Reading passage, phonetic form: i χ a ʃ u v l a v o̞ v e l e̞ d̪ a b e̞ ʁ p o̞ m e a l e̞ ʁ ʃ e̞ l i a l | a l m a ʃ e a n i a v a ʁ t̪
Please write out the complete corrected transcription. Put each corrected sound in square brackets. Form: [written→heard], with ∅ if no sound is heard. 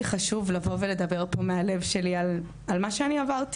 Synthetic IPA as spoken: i χ a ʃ u v l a v o̞ v e l e̞ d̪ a b e̞ ʁ p o̞ m e a l e̞ [ʁ→v] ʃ e̞ l i a l | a l m a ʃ e a n i a v a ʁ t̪